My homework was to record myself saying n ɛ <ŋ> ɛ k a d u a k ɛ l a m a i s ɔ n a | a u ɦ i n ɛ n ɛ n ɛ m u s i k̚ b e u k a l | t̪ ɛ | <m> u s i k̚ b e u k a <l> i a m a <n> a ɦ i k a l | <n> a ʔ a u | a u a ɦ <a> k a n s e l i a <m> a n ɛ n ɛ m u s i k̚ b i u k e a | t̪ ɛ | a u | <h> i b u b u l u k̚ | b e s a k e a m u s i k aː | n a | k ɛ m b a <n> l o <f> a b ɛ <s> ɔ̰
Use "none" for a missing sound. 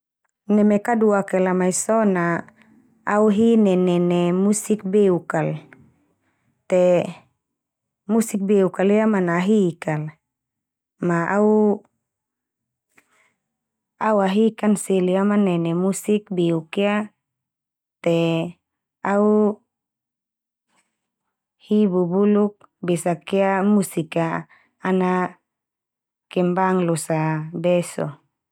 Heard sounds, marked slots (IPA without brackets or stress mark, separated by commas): m, m, l, n, m, i, m, h, ŋ, s, s